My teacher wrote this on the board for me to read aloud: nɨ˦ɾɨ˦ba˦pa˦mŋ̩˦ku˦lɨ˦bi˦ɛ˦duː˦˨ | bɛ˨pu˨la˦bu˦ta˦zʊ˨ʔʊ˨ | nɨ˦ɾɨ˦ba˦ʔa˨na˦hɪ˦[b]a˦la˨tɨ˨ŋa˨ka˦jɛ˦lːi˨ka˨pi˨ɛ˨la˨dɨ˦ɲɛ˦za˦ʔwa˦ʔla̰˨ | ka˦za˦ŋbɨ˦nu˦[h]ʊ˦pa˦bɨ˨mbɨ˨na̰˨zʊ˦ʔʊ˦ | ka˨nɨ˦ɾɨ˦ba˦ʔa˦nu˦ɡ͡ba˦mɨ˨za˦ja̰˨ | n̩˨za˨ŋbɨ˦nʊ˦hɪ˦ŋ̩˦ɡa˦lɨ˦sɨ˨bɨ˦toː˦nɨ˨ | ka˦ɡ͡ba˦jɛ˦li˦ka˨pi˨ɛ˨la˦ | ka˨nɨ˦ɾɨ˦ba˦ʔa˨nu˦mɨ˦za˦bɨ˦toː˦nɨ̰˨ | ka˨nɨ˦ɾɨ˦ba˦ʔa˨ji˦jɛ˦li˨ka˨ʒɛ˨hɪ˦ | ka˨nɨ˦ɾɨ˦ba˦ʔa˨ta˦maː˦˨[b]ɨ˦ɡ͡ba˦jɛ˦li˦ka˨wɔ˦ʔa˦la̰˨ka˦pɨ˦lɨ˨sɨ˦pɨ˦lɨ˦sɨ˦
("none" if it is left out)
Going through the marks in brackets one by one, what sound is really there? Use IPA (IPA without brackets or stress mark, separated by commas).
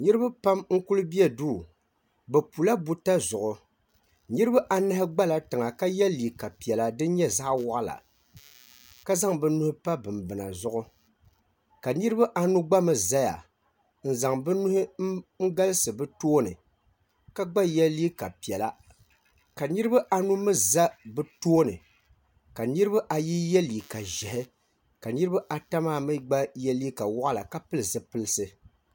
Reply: ɡ͡b, h, m